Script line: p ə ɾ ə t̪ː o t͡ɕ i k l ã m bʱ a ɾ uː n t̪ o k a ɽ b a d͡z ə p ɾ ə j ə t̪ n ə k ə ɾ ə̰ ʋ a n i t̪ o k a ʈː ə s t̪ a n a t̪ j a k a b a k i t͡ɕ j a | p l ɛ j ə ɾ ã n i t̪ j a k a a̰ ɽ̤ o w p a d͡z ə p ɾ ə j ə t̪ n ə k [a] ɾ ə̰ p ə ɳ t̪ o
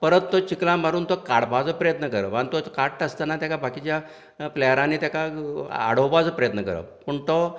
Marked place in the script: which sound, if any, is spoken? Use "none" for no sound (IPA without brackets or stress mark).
ə